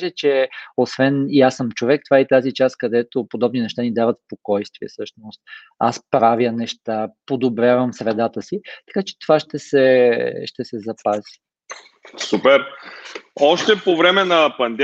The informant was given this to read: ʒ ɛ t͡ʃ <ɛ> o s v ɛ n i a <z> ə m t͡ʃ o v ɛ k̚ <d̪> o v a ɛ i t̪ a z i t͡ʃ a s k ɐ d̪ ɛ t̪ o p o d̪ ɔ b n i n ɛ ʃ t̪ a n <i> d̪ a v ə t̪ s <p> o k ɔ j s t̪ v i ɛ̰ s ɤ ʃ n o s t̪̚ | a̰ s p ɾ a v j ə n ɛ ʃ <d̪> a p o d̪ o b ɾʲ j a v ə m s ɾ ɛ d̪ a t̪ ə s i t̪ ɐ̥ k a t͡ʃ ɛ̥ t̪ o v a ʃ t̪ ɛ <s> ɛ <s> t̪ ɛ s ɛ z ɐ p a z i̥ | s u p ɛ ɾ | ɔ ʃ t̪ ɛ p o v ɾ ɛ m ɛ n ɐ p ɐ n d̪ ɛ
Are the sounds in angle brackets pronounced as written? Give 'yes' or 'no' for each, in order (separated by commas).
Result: yes, no, no, yes, yes, no, yes, no